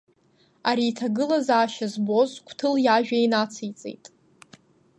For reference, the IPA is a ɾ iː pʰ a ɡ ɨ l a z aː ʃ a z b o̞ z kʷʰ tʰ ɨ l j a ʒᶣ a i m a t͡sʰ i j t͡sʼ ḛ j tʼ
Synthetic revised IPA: a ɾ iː tʰ a ɡ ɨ l a z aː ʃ a z b o̞ z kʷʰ tʰ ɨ l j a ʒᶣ a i n a t͡sʰ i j t͡sʼ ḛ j tʼ

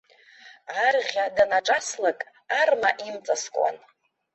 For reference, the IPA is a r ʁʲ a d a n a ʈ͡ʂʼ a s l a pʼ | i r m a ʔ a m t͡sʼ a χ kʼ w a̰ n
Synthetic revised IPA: a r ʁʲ a d a n a ʈ͡ʂʼ a s l a kʼ | a r m a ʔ i m t͡sʼ a s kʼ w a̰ n

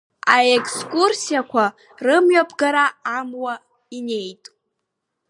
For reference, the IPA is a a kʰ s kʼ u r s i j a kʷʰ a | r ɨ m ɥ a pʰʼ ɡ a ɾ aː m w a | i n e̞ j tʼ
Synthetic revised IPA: a e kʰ s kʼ u r s i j a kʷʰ a | r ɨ m ɥ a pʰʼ ɡ a ɾ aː m w a | i n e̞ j tʼ

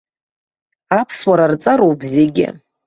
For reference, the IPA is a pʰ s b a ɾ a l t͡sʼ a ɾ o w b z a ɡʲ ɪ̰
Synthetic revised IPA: a pʰ s w a ɾ a r t͡sʼ a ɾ o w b z e ɡʲ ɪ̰

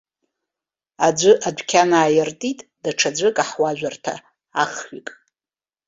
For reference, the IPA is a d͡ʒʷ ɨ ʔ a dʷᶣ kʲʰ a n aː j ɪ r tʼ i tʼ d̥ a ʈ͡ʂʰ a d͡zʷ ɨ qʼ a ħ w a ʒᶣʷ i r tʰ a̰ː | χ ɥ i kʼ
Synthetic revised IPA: a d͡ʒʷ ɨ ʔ a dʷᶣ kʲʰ a n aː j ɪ r tʼ i tʼ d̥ a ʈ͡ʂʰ a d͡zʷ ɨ kʼ a ħ w a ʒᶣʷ a r tʰ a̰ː | χ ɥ i kʼ

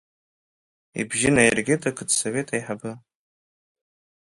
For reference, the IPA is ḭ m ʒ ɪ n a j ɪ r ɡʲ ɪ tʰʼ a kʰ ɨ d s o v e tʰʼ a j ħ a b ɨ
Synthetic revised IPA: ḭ b ʒ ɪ n a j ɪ r ɡʲ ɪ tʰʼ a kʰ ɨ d s o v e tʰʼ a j ħ a b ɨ

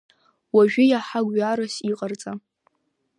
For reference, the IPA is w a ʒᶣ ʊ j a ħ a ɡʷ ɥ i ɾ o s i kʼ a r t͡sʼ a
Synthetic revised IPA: w a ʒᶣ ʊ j a ħ a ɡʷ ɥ a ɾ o s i qʼ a r t͡sʼ a

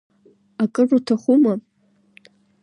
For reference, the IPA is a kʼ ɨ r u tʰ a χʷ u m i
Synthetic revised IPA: a kʼ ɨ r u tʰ a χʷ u m a

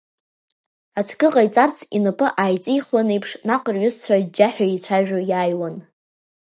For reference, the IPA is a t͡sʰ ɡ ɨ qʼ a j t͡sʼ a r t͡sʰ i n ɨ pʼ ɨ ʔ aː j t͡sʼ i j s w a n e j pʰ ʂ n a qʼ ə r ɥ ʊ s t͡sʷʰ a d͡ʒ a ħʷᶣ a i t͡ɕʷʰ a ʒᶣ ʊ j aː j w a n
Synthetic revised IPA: a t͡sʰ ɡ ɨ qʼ a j t͡sʼ a r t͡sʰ i n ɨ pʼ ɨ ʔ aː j t͡sʼ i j χ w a n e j pʰ ʂ n a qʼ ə r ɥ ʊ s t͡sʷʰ a d͡ʒ a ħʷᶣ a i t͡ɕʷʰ a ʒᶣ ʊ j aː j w a n

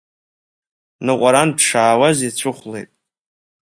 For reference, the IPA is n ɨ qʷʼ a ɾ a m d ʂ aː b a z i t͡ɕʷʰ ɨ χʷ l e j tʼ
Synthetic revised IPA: n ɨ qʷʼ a ɾ a n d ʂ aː w a z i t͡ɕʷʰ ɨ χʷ l e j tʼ

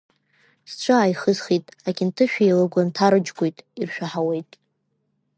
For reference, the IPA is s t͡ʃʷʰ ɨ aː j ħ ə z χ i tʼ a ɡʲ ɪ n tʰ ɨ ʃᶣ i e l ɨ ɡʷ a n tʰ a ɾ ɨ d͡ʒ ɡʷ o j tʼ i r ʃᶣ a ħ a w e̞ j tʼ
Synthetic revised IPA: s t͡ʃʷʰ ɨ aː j χ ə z χ i tʼ a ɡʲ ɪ n tʰ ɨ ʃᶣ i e l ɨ ɡʷ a n tʰ a ɾ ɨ d͡ʒ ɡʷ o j tʼ i r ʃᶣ a ħ a w e̞ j tʼ

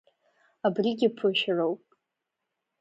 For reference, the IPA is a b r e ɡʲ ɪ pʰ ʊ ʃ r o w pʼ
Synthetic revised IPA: a b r i ɡʲ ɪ pʰ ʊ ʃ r o w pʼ

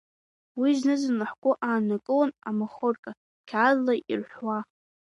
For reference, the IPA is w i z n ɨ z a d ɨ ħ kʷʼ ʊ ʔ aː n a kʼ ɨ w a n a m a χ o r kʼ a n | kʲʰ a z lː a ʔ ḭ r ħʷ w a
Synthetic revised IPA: w i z n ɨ z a n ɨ ħ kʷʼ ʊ ʔ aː n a kʼ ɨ w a n a m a χ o r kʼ a | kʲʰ a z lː a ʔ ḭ r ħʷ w a

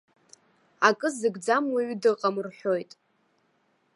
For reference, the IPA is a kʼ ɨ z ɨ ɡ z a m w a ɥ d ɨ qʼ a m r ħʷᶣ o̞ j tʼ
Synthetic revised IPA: a kʼ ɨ z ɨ ɡ d͡z a m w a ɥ d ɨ qʼ a m r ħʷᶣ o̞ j tʼ

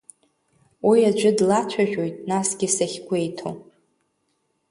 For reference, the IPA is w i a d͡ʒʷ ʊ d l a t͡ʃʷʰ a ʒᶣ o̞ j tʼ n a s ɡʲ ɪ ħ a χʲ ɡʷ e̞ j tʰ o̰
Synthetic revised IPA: w i a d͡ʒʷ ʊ d l a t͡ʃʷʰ a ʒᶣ o̞ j tʼ n a s ɡʲ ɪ s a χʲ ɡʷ e̞ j tʰ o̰

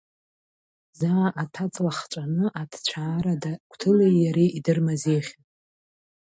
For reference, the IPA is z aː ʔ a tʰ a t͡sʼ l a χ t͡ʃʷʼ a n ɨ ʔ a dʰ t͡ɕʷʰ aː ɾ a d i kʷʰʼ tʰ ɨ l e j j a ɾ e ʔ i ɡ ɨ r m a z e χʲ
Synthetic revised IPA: z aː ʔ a tʰ a t͡sʼ l a χ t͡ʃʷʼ a n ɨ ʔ a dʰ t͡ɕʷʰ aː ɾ a d a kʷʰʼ tʰ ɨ l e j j a ɾ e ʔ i d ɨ r m a z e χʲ

